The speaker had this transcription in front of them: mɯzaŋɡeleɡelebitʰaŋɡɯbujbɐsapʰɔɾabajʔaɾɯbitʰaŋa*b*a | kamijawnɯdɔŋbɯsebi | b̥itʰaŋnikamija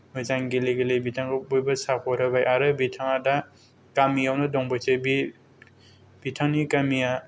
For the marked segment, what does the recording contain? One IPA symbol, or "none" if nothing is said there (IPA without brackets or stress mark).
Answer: d